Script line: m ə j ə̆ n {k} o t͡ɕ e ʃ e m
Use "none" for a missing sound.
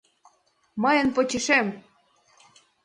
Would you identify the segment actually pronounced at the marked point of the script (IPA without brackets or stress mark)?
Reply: p